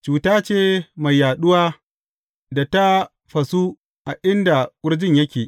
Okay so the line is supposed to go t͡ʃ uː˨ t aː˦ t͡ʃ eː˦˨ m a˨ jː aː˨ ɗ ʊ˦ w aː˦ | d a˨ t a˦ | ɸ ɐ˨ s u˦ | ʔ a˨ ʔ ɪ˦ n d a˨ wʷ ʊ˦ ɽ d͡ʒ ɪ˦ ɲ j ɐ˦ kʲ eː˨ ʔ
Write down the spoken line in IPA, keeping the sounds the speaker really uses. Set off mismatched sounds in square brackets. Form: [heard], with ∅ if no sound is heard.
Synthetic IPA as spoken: t͡ʃ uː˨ t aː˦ t͡ʃ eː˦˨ m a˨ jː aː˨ ɗ ʊ˦ w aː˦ | d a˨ t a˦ | ɸ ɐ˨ s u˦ | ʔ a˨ ʔ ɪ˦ n d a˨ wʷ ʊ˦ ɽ d͡ʒ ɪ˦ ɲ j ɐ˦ kʲ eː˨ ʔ